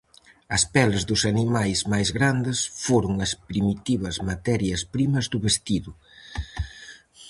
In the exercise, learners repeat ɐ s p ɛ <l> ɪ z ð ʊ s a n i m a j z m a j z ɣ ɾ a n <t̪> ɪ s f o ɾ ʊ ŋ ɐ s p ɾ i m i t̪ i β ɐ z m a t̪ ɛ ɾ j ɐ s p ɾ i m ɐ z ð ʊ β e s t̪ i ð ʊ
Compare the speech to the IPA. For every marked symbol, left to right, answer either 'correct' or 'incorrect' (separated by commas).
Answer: correct, incorrect